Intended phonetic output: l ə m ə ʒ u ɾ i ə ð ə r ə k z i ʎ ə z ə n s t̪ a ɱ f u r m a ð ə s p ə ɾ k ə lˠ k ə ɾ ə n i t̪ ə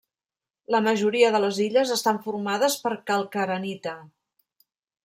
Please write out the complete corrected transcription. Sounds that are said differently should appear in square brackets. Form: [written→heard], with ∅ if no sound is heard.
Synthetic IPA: l ə m ə ʒ u ɾ i ə ð ə [r→l] ə [k→∅] z i ʎ ə z ə [n→∅] s t̪ a ɱ f u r m a ð ə s p ə ɾ k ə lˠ k ə ɾ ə n i t̪ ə